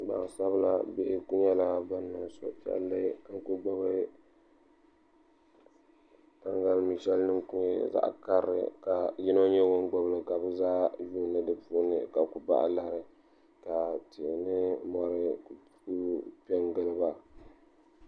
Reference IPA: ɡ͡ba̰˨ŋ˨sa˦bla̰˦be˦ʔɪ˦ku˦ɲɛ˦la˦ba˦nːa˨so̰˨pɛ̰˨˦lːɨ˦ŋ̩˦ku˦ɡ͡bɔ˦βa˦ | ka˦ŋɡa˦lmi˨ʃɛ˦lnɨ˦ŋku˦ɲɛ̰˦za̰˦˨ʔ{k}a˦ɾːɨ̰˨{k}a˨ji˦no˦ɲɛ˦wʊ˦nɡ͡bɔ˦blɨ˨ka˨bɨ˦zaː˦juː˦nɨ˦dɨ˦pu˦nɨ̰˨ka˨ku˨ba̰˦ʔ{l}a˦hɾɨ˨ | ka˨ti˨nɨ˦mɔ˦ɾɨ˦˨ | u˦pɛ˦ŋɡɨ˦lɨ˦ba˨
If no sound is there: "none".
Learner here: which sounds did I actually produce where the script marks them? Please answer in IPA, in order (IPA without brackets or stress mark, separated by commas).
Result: k, k, l